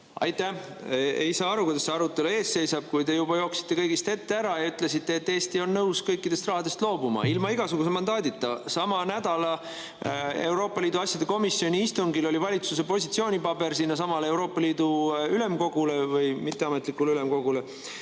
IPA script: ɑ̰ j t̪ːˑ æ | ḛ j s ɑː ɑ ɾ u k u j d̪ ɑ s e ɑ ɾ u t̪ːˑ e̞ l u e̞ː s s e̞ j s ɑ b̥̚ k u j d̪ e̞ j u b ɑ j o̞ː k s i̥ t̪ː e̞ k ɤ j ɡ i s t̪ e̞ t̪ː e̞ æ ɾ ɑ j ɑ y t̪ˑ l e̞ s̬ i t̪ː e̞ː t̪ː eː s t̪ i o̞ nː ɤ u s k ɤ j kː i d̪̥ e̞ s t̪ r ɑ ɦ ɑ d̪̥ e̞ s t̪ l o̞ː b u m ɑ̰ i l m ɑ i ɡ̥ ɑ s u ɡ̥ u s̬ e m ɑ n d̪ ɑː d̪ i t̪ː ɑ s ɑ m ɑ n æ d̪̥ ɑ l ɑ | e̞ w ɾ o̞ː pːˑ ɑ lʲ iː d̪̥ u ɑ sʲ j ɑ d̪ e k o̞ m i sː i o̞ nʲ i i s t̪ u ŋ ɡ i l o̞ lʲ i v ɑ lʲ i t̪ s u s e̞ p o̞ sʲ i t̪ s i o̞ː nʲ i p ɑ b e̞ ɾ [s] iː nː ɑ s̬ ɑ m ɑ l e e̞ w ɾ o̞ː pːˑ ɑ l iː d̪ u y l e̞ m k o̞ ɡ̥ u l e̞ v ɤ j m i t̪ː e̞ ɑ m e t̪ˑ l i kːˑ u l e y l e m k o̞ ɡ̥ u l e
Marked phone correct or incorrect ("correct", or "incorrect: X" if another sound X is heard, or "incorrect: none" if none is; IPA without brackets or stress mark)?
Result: correct